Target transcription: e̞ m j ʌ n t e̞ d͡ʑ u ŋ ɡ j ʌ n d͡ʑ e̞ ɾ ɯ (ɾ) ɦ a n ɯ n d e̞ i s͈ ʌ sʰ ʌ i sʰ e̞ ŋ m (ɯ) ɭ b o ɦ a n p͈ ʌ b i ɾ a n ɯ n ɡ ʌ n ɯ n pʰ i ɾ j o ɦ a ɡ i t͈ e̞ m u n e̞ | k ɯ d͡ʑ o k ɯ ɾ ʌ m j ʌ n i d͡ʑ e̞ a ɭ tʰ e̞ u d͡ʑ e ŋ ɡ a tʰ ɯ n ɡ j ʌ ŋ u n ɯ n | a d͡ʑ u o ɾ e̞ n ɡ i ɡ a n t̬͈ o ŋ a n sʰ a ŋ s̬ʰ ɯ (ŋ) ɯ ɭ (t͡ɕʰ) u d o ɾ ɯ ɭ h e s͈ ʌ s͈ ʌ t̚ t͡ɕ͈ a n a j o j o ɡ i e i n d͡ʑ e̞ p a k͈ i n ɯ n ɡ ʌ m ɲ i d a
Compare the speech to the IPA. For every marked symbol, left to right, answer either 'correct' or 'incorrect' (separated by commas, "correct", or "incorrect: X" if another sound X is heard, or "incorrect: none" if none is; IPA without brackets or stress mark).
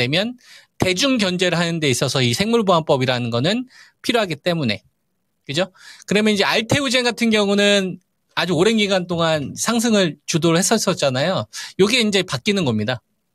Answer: incorrect: ɭ, incorrect: u, correct, incorrect: t͡ɕ